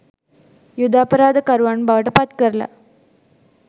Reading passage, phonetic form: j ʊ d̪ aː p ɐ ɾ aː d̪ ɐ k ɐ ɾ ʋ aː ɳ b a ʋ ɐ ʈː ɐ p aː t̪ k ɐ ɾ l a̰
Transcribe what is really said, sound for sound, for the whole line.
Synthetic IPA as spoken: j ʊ d̪ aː p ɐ ɾ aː d̪ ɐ k ɐ ɾ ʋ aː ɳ b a ʋ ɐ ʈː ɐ p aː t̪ k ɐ ɾ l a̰